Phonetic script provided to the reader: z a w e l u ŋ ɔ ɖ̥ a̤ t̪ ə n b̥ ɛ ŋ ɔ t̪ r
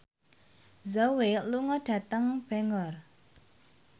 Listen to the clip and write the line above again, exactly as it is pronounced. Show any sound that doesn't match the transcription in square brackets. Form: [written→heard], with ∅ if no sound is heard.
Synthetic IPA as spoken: z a w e l u ŋ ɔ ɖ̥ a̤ t̪ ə [n→ŋ] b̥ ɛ ŋ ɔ [t̪→∅] r